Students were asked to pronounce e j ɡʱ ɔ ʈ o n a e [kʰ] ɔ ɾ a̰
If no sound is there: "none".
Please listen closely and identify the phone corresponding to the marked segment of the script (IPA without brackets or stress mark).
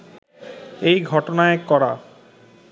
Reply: k